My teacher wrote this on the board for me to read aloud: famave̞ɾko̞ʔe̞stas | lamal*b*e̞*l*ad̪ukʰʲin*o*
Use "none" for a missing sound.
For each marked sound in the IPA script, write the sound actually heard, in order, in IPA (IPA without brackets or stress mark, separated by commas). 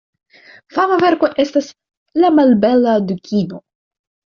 b, l, o